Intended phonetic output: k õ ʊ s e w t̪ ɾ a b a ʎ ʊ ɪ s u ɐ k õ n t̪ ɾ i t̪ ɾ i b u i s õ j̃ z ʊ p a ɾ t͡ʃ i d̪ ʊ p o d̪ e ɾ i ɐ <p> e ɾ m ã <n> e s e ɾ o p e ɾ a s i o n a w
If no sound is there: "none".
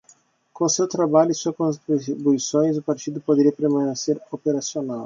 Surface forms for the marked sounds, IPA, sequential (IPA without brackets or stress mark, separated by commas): p, n